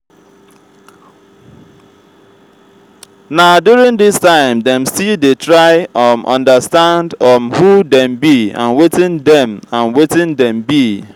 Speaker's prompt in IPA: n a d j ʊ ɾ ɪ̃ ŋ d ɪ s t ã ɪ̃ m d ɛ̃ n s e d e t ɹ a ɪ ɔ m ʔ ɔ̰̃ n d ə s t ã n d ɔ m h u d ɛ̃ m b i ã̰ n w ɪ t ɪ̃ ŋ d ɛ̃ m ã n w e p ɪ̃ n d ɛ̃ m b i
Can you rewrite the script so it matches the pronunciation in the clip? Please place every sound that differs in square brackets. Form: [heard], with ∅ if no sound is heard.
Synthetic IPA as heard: n a d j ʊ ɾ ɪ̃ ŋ d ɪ s t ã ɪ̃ m d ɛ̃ [m] s [i] d e t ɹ a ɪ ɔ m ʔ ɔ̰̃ n d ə s t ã n d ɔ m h u d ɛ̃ m b i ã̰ n w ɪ t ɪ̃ [n] d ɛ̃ m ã n w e [t] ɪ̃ n d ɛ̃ m b i